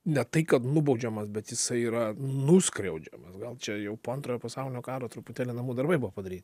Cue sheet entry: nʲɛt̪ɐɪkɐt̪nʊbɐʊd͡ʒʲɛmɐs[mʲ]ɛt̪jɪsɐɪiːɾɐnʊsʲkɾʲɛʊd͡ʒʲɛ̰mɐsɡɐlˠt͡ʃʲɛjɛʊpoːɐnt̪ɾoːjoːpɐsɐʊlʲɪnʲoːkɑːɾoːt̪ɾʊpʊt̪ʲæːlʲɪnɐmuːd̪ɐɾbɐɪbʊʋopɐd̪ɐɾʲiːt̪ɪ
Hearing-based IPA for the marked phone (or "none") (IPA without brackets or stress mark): bʲ